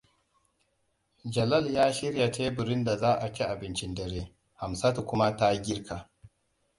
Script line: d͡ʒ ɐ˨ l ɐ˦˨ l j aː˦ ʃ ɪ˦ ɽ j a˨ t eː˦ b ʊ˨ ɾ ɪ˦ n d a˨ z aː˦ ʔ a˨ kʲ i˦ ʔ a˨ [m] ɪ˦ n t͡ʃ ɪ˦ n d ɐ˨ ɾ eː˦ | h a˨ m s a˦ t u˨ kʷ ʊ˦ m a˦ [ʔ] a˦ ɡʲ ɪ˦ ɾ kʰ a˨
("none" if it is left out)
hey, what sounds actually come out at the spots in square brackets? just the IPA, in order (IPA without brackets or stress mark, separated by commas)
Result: b, t